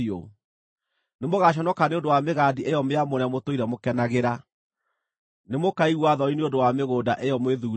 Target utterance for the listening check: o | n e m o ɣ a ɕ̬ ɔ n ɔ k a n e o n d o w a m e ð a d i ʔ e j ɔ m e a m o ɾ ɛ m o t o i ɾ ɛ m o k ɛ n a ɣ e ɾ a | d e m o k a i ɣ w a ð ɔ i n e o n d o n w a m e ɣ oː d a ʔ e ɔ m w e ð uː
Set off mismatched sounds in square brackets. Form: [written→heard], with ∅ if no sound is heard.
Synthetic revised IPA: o | n e m o ɣ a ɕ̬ ɔ n ɔ k a n e o n d o w a m e [ð→ɣ] a d i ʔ e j ɔ m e a m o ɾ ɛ m o t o i ɾ ɛ m o k ɛ n a ɣ e ɾ a | [d→n] e m o k a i ɣ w a ð ɔ i n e o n d o [n→∅] w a m e ɣ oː d a ʔ e ɔ m w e ð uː